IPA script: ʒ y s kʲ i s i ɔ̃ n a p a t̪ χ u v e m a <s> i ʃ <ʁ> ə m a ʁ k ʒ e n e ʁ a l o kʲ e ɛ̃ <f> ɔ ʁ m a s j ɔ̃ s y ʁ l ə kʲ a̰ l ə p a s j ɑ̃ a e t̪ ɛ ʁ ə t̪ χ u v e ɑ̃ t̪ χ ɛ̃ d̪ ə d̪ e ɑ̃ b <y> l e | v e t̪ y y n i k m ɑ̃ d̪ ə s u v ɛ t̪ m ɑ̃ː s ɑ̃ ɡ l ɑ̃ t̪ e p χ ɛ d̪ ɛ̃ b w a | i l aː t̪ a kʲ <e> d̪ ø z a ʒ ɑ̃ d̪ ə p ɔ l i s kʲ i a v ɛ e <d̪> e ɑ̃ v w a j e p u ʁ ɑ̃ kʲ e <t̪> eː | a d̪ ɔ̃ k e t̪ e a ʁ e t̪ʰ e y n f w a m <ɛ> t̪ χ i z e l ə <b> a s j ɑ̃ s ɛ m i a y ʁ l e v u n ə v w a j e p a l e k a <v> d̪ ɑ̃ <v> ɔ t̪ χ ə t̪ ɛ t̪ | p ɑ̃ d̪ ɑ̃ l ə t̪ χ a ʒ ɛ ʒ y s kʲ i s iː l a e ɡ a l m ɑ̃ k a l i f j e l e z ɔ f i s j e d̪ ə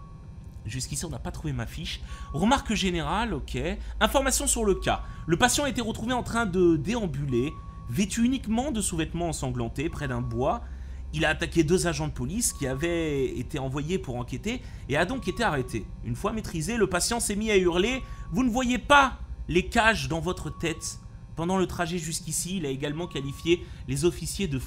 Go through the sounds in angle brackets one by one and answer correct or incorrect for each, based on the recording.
incorrect: f, correct, correct, correct, correct, incorrect: t̪, correct, incorrect: e, incorrect: p, incorrect: ʒ, correct

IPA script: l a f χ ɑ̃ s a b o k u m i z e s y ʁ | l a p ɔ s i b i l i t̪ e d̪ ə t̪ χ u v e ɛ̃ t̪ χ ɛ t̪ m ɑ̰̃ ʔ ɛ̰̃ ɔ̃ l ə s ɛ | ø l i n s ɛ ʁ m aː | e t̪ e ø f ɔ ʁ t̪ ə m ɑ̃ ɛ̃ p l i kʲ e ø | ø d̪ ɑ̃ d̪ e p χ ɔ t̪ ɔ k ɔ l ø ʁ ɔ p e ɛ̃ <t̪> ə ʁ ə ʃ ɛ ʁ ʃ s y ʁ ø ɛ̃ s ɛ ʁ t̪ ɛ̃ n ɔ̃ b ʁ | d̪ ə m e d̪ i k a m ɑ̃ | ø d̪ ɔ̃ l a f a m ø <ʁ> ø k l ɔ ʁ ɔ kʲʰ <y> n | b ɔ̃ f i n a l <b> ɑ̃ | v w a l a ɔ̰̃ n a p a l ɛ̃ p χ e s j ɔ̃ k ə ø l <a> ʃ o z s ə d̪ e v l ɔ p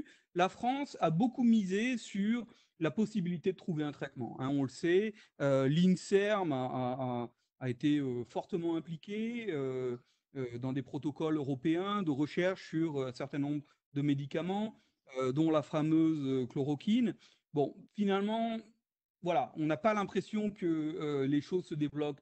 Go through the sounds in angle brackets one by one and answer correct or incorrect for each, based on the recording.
incorrect: d̪, incorrect: z, incorrect: i, incorrect: m, incorrect: e

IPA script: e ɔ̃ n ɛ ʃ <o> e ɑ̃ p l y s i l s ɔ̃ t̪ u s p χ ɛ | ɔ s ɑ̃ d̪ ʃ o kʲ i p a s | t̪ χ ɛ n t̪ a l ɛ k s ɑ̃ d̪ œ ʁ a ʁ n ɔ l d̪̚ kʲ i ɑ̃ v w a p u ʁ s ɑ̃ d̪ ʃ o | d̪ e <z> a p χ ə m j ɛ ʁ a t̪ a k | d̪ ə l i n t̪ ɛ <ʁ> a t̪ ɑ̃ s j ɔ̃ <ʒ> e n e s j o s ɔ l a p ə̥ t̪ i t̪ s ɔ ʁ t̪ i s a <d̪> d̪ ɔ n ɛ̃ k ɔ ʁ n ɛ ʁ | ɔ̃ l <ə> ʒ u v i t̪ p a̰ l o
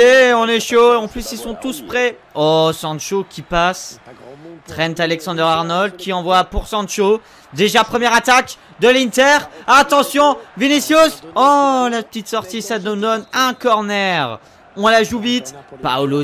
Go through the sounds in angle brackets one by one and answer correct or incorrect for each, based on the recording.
correct, incorrect: ʒ, correct, incorrect: v, correct, incorrect: a

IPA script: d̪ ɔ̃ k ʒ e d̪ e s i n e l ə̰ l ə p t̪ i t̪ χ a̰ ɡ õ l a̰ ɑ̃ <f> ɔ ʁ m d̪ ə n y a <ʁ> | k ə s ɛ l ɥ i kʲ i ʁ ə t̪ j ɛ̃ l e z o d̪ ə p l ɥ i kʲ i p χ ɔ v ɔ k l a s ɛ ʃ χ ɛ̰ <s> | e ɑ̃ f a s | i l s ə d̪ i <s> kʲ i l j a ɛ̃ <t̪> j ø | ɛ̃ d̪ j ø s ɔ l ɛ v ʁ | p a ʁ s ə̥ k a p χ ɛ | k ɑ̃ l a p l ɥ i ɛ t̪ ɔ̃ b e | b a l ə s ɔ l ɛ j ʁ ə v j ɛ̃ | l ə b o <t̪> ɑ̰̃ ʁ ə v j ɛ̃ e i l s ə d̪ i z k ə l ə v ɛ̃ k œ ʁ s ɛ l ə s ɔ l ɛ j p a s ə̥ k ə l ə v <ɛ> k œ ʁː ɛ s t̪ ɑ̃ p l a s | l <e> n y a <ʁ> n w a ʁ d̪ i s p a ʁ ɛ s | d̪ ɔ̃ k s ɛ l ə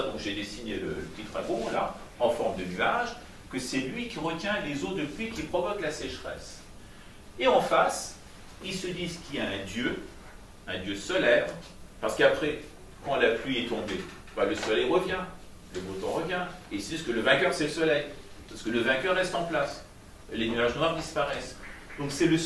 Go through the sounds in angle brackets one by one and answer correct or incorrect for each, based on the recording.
correct, incorrect: ʒ, correct, incorrect: z, incorrect: d̪, correct, incorrect: ɛ̃, correct, incorrect: ʒ

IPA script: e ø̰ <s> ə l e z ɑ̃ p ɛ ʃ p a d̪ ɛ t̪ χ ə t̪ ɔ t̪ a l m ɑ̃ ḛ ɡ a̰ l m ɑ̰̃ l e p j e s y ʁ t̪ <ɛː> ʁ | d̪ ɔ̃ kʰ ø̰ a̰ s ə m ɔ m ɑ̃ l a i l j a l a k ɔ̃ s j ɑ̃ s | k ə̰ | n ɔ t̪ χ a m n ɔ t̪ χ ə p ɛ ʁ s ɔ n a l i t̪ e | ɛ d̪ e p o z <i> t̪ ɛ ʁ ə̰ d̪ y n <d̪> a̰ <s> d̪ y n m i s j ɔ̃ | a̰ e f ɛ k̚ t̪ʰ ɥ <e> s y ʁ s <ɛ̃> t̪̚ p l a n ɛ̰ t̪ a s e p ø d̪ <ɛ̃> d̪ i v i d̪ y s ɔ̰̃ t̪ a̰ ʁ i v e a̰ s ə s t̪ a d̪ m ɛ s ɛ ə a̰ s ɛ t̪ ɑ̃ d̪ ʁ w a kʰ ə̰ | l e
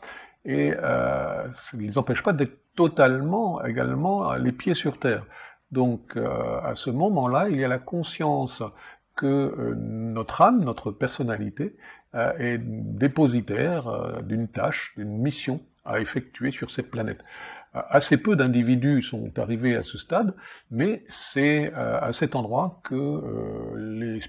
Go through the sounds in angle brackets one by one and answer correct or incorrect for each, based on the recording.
correct, correct, correct, incorrect: t̪, incorrect: ʃ, correct, incorrect: ɛ, correct

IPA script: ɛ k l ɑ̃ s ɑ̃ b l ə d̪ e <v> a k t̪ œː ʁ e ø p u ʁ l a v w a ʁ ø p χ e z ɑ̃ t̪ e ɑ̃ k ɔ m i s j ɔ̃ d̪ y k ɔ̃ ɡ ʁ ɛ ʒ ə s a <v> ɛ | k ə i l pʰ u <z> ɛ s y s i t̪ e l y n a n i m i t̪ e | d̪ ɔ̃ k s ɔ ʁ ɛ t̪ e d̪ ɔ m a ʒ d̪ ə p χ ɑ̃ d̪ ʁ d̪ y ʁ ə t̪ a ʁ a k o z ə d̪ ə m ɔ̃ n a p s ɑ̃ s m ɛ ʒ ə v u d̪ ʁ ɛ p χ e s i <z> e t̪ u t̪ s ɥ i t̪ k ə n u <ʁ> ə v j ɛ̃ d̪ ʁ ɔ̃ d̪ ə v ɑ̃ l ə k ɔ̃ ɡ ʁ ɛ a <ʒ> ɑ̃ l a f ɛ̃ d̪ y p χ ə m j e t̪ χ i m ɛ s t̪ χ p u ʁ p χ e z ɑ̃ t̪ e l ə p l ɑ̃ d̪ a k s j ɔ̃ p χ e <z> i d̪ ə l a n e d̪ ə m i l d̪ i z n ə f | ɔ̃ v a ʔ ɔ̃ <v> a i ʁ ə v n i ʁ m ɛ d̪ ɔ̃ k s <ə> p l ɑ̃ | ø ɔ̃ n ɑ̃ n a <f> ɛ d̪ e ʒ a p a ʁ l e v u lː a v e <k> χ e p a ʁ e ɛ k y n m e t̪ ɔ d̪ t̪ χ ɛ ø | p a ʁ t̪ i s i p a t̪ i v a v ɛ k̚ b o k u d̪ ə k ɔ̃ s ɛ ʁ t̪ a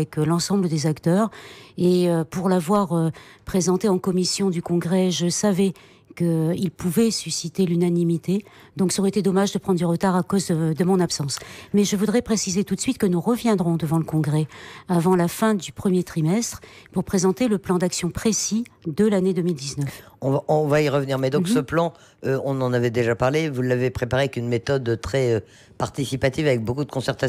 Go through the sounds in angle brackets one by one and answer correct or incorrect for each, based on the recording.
incorrect: z, correct, incorrect: v, correct, correct, incorrect: v, incorrect: s, correct, correct, incorrect: v, incorrect: p

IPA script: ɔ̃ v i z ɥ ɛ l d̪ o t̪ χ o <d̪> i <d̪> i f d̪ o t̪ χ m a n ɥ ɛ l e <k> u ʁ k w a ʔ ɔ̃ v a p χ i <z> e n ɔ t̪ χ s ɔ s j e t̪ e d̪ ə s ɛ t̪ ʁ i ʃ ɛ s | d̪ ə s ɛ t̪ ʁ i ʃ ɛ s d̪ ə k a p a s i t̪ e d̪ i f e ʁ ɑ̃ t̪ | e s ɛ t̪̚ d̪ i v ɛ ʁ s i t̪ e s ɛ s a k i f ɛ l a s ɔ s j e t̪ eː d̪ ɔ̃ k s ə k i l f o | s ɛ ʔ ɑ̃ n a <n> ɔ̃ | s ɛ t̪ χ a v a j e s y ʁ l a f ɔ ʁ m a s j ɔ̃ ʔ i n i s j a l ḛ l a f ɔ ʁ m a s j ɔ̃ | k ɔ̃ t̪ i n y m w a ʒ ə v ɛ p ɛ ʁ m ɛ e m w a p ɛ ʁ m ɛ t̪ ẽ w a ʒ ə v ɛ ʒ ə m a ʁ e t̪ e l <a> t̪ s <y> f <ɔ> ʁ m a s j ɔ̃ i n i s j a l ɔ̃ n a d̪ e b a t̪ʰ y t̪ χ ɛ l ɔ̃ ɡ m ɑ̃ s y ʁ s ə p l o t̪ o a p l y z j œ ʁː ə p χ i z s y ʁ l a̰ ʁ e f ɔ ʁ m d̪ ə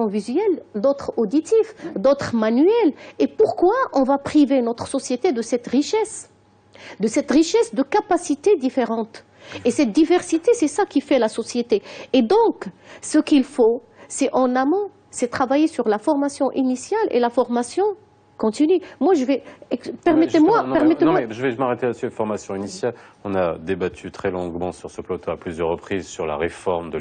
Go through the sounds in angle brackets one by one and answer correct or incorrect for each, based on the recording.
correct, incorrect: t̪, incorrect: p, incorrect: v, incorrect: m, correct, correct, correct

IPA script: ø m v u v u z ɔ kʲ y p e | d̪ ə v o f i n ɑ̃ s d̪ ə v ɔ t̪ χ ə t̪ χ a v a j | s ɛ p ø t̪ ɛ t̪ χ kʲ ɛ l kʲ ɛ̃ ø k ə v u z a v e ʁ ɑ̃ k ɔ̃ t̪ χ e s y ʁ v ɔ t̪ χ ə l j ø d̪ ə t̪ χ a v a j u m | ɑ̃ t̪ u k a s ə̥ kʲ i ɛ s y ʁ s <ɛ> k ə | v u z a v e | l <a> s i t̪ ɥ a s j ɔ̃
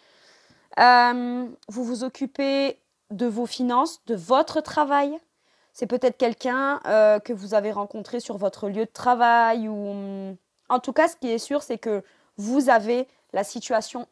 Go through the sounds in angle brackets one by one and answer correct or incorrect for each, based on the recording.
correct, correct

